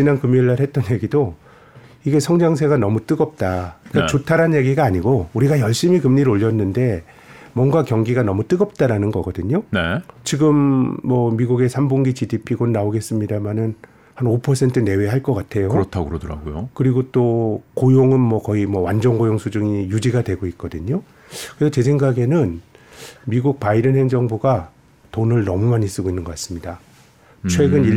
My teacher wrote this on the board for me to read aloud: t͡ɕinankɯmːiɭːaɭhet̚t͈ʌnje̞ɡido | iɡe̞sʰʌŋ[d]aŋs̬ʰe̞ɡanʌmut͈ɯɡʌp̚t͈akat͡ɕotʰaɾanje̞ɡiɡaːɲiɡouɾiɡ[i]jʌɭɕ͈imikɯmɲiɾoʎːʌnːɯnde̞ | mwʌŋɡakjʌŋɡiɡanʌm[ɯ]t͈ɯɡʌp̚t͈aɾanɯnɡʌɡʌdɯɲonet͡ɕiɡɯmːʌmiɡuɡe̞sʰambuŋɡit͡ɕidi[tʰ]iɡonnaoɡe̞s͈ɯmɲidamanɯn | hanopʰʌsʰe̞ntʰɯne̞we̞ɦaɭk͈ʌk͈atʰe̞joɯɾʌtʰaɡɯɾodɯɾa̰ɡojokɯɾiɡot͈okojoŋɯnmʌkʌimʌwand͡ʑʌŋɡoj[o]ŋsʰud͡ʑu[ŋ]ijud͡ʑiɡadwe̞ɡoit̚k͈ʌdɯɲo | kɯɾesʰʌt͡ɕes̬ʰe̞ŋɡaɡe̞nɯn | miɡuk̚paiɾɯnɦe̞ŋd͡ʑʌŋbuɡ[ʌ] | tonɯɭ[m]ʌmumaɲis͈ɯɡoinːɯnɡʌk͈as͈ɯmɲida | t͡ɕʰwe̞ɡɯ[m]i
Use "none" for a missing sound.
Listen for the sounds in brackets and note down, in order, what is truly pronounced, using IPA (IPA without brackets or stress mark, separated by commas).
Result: d͡ʑ, a, u, pʰ, o, ŋ, a, n, n